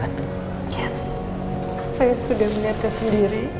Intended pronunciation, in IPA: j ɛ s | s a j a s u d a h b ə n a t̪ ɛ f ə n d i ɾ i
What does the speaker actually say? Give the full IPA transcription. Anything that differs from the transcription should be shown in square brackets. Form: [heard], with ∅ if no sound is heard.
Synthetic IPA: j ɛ s | s a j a s u d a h [m] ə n a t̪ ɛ [s] ə n d i ɾ i